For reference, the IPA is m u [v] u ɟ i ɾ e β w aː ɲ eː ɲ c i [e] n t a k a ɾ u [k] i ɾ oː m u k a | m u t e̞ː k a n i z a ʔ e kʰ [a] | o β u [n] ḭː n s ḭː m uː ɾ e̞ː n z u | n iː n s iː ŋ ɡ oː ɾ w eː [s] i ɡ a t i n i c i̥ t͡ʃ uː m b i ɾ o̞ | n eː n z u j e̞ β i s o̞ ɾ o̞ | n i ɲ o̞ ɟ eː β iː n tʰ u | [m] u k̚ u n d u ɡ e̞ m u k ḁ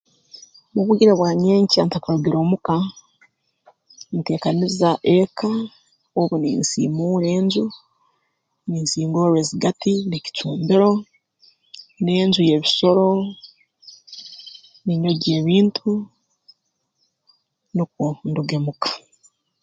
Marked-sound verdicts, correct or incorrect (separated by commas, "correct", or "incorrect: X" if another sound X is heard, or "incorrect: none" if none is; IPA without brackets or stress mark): incorrect: β, incorrect: a, incorrect: ɡ, correct, correct, incorrect: z, incorrect: n